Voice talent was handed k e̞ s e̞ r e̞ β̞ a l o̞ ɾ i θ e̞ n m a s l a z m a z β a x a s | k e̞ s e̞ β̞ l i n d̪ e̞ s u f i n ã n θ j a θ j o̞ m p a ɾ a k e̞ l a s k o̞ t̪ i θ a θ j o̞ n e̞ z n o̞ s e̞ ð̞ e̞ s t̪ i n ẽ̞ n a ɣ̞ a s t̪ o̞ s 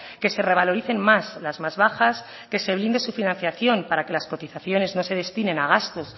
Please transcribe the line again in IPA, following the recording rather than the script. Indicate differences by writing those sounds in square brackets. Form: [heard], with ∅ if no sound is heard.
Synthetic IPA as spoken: k e̞ s e̞ r e̞ β̞ a l o̞ ɾ i θ e̞ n m a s l a z m a z β a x a s | k e̞ s e̞ β̞ l i n d̪ e̞ s u f i n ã n θ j a θ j o̞ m p a ɾ a k e̞ l a s k o̞ t̪ i θ a θ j o̞ n e̞ z n o̞ s e̞ ð̞ e̞ s t̪ i n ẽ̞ n a ɣ̞ a s t̪ o̞ s